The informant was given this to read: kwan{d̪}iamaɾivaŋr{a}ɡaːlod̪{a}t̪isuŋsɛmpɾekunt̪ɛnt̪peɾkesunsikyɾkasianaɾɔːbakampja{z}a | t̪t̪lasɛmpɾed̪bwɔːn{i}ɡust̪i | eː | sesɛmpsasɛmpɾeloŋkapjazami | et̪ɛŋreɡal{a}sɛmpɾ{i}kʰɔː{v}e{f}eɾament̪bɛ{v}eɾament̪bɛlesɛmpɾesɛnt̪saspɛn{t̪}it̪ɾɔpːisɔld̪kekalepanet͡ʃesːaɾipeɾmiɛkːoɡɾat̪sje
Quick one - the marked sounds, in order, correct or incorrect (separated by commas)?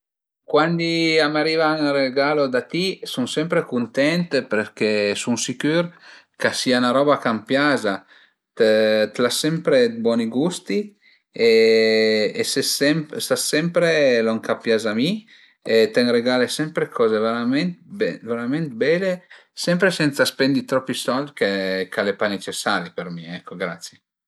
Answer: correct, incorrect, correct, correct, correct, incorrect, incorrect, incorrect, incorrect, correct, incorrect